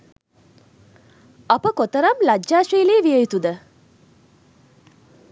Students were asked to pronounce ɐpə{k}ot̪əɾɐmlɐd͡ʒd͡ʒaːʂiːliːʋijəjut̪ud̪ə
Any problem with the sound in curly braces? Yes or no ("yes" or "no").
no